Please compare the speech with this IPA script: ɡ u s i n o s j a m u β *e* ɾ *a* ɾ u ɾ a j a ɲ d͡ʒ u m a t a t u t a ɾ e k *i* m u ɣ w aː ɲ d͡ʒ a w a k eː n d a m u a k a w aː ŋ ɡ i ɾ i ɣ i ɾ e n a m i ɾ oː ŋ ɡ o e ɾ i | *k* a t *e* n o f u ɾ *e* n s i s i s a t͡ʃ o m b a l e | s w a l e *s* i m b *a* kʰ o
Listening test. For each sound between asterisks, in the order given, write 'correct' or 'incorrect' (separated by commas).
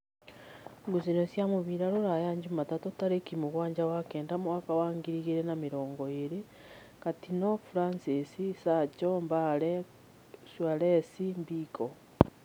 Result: incorrect, correct, correct, correct, incorrect, incorrect, correct, incorrect